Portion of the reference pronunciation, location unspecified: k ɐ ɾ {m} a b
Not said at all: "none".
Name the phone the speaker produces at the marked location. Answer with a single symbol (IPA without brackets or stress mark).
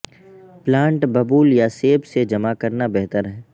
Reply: n